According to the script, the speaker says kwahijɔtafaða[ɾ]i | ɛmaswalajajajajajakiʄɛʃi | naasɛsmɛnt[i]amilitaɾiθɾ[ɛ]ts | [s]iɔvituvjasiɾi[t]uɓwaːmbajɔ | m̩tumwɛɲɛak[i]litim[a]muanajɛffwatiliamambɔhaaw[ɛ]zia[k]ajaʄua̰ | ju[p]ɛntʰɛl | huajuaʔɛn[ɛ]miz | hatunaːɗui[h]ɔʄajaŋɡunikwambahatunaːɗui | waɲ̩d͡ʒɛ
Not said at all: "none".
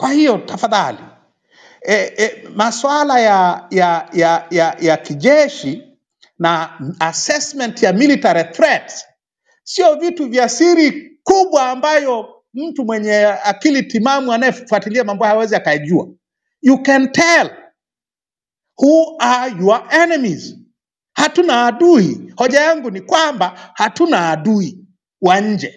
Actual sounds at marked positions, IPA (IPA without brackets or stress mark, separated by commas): l, j, ɛ, s, k, i, a, ɛ, k, k, ɛ, h